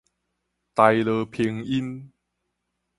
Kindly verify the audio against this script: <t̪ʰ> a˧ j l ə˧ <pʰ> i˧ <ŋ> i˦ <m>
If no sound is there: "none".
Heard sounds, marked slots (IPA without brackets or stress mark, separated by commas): t̪, pʰ, ŋ, n